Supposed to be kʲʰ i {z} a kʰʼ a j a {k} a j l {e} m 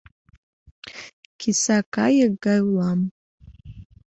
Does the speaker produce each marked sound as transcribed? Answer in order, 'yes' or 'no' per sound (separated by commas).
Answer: no, no, no